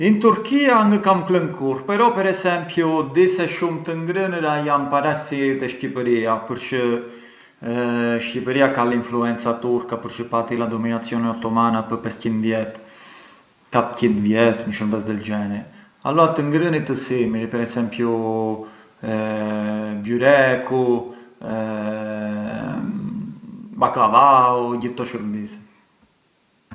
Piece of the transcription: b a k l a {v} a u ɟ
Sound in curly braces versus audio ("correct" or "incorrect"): correct